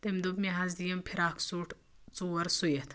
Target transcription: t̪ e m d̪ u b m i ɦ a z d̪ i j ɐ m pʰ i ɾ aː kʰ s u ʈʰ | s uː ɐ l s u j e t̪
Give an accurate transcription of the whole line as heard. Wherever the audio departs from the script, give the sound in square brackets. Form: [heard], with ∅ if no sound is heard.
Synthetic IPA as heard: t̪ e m d̪ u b m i ɦ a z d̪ i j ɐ m pʰ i ɾ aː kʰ s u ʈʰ | [t͡s] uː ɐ [ɾ] s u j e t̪